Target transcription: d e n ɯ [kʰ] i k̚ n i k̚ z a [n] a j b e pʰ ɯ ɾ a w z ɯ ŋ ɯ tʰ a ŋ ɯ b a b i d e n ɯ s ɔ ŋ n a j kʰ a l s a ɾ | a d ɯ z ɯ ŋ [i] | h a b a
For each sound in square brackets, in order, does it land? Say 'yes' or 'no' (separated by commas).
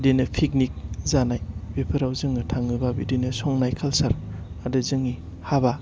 no, yes, yes